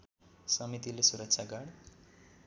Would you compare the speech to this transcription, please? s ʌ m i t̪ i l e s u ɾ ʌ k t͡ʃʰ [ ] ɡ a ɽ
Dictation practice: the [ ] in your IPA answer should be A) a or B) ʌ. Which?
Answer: A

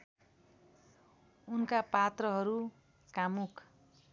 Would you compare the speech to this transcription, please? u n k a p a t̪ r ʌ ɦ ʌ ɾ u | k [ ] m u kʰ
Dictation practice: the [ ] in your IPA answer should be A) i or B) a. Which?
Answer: B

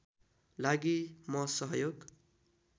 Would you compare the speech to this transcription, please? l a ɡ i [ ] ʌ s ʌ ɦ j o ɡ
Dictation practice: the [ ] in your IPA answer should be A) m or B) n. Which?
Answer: A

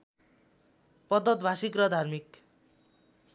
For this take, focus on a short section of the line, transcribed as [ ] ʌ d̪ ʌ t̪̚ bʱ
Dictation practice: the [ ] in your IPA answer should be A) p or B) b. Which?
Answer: A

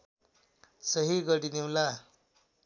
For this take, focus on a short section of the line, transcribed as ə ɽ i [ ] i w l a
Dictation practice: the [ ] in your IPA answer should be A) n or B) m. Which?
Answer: A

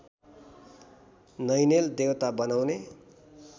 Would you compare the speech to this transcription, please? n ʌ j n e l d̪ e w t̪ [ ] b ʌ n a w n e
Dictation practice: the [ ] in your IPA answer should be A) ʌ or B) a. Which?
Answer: B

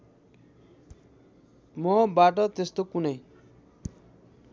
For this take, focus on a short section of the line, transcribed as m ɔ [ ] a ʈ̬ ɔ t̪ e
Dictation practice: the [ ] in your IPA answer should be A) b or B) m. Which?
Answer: A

